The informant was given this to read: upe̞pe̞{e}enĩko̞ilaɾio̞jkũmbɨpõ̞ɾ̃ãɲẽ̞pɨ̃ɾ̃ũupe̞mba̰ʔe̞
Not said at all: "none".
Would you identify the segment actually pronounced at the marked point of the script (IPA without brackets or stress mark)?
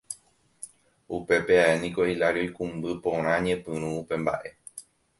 a